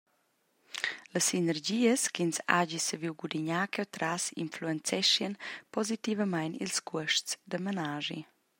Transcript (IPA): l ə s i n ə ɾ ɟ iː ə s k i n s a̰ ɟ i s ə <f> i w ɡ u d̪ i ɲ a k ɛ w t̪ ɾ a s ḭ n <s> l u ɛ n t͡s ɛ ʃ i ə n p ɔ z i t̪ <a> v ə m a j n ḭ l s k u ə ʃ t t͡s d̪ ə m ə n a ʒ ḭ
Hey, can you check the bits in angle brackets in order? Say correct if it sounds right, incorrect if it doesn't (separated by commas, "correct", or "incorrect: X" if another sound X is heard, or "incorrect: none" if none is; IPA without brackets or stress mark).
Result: incorrect: v, incorrect: f, incorrect: i